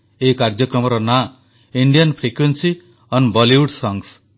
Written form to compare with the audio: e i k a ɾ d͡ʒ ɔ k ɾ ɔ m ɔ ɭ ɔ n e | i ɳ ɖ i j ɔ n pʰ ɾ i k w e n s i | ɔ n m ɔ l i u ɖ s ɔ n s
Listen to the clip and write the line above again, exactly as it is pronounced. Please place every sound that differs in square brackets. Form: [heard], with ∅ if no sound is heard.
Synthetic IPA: e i k a ɾ d͡ʒ ɔ k ɾ ɔ m ɔ [ɾ] ɔ n [a] | i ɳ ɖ i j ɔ n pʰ ɾ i k w e n s i | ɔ n [b] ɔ l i u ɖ s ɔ [ŋ] s